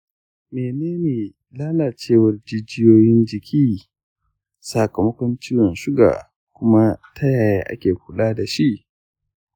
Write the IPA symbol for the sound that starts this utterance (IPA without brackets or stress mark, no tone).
m